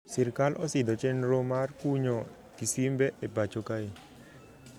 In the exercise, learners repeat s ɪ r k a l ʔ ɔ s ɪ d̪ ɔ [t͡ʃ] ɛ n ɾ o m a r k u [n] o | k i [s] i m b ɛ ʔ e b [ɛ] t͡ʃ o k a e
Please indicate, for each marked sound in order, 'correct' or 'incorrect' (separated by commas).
correct, incorrect, correct, incorrect